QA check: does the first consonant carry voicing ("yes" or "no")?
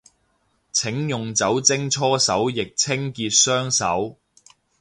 no